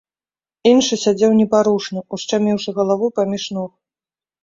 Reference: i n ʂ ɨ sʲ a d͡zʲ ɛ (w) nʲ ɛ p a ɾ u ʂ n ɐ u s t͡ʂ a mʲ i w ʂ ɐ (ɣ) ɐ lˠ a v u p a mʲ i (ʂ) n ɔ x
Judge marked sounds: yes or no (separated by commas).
yes, yes, yes